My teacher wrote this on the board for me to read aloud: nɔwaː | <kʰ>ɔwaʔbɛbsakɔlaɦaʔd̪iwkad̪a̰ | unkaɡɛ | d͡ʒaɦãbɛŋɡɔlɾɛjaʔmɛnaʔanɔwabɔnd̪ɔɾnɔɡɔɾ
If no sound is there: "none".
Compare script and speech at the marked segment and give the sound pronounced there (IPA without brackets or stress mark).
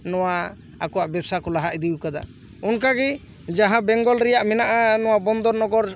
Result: k